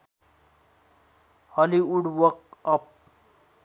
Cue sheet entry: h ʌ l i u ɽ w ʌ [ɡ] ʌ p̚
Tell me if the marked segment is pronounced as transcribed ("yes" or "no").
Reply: no